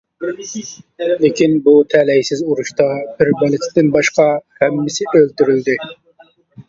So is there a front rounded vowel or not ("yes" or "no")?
yes